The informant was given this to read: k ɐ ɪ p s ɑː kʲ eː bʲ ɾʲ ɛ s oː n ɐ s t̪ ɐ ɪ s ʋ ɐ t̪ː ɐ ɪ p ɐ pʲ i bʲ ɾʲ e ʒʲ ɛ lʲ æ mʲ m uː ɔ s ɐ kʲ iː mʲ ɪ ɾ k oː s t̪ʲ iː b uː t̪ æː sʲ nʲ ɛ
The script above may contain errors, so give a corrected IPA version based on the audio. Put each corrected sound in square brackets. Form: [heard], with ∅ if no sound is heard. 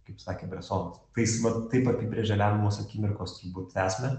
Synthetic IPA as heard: k ɐ ɪ p s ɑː kʲ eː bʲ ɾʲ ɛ s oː n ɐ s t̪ ɐ ɪ s ʋ ɐ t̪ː ɐ ɪ p ɐ pʲ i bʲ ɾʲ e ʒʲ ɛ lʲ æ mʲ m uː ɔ s ɐ kʲ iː mʲ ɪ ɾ k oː s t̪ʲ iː b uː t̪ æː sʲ [mʲ] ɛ